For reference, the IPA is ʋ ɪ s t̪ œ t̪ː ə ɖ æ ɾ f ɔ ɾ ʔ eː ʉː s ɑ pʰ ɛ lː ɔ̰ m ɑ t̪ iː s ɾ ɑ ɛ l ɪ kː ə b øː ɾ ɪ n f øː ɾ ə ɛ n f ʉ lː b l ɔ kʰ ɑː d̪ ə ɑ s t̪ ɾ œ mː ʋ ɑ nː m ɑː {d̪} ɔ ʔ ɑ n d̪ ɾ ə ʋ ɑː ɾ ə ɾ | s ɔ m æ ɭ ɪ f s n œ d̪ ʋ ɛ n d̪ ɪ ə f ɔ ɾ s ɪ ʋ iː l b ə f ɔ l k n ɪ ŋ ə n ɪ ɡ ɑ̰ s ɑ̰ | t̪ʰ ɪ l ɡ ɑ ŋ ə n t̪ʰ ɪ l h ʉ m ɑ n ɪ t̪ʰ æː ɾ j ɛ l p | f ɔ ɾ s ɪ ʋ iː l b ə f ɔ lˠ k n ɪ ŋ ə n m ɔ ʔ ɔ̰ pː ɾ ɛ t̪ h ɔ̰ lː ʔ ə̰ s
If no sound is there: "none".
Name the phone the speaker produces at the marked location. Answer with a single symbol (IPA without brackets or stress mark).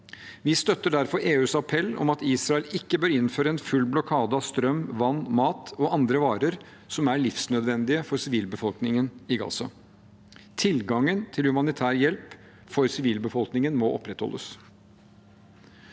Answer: t̪